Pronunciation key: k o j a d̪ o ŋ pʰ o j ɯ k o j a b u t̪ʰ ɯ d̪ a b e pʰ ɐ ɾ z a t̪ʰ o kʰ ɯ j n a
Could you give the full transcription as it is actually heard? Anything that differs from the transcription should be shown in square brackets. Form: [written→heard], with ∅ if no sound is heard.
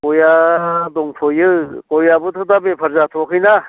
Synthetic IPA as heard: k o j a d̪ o ŋ pʰ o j ɯ k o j a b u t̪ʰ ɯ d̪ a b e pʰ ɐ ɾ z a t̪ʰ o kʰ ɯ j n a